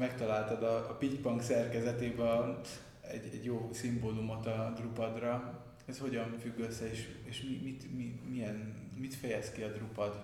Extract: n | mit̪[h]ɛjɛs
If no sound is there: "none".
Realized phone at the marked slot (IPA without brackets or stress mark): f